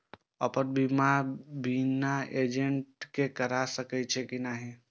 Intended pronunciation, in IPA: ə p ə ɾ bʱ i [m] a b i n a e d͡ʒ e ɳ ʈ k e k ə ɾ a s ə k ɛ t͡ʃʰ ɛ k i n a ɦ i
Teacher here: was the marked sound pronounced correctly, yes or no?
yes